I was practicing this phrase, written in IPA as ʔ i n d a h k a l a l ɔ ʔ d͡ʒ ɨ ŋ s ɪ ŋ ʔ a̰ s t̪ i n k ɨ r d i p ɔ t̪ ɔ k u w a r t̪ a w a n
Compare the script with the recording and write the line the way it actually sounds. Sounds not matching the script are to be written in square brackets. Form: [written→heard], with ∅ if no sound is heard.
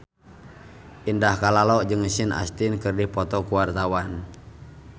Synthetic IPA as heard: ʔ i n d a h k a l a l ɔ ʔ d͡ʒ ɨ ŋ s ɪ [ŋ→n] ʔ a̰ s t̪ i n k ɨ r d i p ɔ t̪ ɔ k u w a r t̪ a w a n